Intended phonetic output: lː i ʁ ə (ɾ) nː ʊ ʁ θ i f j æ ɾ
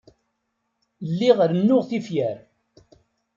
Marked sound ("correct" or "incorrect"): correct